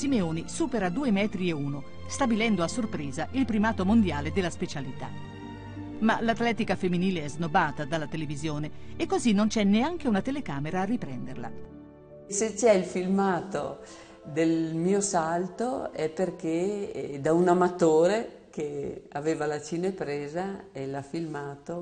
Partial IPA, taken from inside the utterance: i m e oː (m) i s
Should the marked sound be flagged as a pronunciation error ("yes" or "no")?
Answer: yes